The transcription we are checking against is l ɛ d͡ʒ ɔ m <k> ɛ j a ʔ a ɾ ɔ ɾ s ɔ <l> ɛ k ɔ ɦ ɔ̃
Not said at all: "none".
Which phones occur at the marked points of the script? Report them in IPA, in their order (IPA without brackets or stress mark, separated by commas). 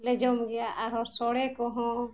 ɡ, ɽ